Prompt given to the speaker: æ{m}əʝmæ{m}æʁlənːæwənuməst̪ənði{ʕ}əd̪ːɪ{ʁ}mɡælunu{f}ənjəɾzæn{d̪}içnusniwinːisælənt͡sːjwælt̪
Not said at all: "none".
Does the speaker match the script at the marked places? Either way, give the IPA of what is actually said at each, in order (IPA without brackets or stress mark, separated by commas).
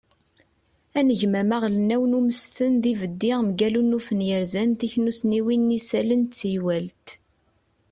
n, m, v, ʁ, f, t̪